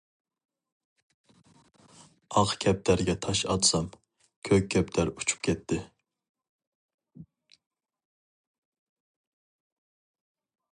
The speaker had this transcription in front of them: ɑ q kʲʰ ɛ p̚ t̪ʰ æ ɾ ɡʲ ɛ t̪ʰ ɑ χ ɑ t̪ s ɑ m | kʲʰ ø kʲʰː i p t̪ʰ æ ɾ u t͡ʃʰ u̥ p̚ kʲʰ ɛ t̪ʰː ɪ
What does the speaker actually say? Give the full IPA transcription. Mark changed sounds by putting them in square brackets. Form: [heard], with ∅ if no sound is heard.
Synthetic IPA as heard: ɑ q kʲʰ ɛ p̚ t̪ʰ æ ɾ ɡʲ ɛ t̪ʰ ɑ [ʃ] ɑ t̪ s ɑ m | kʲʰ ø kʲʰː [ɛ] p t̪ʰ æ ɾ u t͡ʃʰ u̥ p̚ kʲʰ ɛ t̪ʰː ɪ